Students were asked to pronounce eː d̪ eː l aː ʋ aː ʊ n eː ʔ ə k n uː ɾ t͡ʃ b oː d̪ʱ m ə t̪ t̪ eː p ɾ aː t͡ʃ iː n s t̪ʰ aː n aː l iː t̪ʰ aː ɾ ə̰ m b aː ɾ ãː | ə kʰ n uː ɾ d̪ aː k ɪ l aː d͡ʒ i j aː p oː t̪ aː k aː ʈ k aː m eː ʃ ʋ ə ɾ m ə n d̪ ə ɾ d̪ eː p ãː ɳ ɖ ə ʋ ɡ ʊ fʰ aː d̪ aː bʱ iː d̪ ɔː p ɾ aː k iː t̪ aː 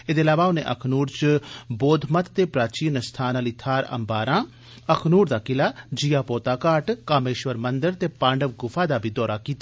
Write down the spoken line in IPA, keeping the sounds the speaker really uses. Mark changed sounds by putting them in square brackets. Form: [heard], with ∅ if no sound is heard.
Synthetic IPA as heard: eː d̪ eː l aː ʋ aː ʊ n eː ʔ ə [kʰ] n uː ɾ t͡ʃ b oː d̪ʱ m ə t̪ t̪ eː p ɾ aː t͡ʃ iː n s t̪ʰ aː n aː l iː t̪ʰ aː ɾ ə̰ m b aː ɾ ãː | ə kʰ n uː ɾ d̪ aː k ɪ l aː d͡ʒ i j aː p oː t̪ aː k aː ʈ k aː m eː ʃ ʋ ə ɾ m ə n d̪ ə ɾ [t̪] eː p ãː ɳ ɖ ə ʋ ɡ ʊ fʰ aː d̪ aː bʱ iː d̪ ɔː [∅] ɾ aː k iː t̪ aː